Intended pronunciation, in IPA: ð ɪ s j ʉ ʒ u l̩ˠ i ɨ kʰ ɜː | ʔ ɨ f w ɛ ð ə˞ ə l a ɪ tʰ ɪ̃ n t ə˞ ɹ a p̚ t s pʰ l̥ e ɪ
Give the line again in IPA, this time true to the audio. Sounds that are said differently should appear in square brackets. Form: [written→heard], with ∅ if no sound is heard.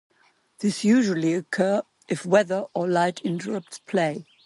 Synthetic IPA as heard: ð ɪ s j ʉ ʒ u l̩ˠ i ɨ kʰ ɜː | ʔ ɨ f w ɛ ð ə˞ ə l a ɪ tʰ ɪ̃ n t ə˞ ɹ [a→ʌ] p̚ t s pʰ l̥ e ɪ

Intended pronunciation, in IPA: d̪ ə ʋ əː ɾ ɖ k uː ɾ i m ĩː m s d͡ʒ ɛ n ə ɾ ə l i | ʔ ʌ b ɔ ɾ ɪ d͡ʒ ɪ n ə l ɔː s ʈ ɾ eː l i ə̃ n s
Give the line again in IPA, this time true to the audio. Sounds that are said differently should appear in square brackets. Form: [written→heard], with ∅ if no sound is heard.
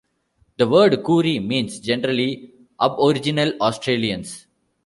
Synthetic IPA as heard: d̪ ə ʋ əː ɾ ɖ k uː ɾ i m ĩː [m→n] s d͡ʒ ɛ n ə ɾ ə l i | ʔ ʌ b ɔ ɾ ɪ d͡ʒ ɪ n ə l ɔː s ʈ ɾ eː l i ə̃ n s

